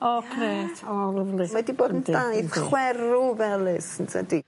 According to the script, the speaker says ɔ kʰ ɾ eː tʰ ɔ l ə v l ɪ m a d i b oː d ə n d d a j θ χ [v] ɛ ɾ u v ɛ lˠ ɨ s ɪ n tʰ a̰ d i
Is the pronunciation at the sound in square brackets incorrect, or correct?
incorrect: w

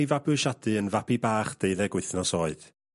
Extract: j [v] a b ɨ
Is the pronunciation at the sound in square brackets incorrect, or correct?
correct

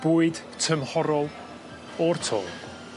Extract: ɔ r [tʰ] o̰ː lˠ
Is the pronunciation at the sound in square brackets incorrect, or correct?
correct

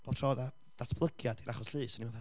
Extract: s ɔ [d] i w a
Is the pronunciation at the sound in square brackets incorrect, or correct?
incorrect: n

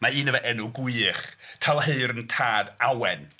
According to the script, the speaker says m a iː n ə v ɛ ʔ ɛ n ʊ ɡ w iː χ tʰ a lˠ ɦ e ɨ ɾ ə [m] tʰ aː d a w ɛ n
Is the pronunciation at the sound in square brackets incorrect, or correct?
incorrect: n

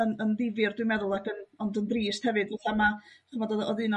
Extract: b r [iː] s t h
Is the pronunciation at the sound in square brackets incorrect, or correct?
correct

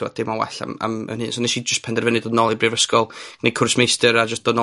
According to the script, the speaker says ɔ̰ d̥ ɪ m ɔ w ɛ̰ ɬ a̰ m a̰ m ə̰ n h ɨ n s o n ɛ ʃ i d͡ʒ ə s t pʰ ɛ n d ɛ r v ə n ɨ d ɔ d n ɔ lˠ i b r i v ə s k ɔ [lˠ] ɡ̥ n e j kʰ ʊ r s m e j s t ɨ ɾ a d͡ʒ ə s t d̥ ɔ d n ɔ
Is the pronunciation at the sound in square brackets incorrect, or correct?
correct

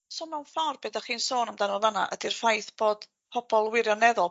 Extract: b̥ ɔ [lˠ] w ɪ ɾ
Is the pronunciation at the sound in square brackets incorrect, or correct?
correct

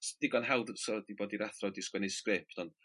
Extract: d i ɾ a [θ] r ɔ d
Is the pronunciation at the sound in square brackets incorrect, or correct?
correct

